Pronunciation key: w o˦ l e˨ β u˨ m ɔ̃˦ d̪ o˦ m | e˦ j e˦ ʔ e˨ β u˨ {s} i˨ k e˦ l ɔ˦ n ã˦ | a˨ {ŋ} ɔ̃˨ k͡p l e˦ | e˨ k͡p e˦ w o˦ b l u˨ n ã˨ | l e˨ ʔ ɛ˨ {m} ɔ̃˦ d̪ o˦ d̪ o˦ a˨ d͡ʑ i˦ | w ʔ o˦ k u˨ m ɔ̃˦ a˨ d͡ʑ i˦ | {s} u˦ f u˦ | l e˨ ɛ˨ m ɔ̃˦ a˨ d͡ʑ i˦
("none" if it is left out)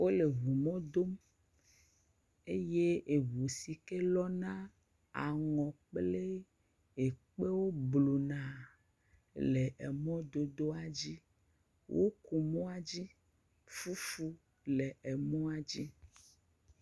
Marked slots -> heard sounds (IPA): s, ŋ, m, f

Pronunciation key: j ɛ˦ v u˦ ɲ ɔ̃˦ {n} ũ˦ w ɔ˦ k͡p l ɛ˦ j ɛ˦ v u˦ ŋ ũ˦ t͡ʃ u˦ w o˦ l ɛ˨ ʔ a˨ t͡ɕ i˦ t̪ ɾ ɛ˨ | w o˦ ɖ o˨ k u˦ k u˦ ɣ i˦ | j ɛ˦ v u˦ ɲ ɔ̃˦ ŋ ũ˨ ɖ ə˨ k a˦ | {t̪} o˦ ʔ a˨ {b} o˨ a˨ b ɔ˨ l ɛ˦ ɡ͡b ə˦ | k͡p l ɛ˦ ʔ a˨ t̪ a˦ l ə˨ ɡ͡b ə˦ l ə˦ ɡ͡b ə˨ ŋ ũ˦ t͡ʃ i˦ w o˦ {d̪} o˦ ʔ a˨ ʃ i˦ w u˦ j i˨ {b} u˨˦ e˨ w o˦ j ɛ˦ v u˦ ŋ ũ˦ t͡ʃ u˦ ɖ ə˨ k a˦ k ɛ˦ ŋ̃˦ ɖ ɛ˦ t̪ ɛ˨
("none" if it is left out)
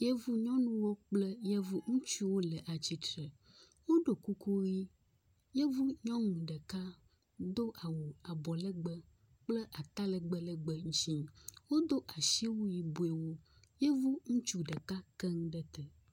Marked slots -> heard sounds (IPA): n, d̪, w, d̪, b

